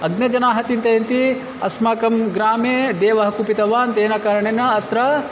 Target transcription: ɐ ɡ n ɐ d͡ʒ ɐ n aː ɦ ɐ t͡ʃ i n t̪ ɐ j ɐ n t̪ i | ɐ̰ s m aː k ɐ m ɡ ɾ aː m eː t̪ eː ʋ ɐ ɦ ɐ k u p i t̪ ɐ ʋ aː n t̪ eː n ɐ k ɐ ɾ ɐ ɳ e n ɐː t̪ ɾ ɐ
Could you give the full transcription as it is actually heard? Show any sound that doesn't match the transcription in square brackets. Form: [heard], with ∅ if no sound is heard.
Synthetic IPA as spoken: ɐ ɡ n ɐ d͡ʒ ɐ n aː ɦ ɐ t͡ʃ i n t̪ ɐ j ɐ n t̪ i | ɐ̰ s m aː k ɐ m ɡ ɾ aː m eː [d̪] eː ʋ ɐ ɦ ɐ k u p i t̪ ɐ ʋ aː n t̪ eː n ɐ k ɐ ɾ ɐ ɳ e n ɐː t̪ ɾ ɐ